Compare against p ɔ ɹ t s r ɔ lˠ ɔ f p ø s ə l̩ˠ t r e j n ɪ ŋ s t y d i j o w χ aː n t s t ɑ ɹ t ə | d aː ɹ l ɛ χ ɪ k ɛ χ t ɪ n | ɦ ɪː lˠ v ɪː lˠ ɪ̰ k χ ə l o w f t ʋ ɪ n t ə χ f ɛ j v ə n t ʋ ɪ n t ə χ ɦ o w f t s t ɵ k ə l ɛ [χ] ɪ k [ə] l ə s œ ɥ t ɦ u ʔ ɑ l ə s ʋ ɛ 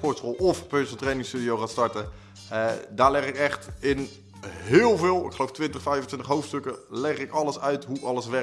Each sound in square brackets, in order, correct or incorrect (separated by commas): correct, incorrect